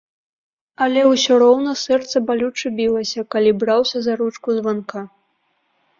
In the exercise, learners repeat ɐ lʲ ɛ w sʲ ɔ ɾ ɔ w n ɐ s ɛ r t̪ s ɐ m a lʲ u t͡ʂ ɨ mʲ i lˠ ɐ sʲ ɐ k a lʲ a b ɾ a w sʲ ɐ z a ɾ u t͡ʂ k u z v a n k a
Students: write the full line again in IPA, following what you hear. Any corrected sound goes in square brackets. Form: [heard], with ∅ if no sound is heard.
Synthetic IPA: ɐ lʲ ɛ w sʲ ɔ ɾ ɔ w n ɐ s ɛ r t̪ s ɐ [b] a lʲ u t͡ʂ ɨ [bʲ] i lˠ ɐ sʲ ɐ k a lʲ [i] b ɾ a w sʲ ɐ z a ɾ u t͡ʂ k u z v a n k a